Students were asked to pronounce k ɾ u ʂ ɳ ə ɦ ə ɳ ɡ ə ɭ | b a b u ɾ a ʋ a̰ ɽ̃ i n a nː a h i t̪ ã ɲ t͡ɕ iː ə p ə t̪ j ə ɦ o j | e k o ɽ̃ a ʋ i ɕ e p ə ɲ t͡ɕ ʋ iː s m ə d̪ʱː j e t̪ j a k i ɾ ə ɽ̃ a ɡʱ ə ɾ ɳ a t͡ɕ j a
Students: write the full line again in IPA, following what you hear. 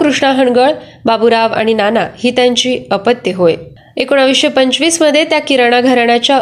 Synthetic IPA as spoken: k ɾ u ʂ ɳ a ɦ ə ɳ ɡ ə ɭ | b a b u ɾ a ʋ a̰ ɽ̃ i n a n a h i t̪ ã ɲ t͡ɕ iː ə p ə t̪ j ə ɦ o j | e k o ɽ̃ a ʋ i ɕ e p ə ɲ t͡ɕ ʋ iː s m ə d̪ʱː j e t̪ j a k i ɾ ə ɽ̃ a ɡʱ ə ɾ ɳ a t͡ɕ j a